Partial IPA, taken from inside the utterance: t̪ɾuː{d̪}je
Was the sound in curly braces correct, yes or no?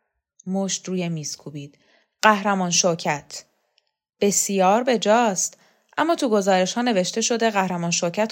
no